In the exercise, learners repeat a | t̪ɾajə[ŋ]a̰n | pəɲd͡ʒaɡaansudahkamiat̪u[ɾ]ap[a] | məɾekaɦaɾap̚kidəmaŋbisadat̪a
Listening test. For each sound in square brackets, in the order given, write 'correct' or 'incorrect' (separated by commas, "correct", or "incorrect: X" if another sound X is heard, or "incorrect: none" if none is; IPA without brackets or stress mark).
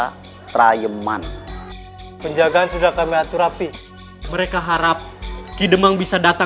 incorrect: m, correct, incorrect: i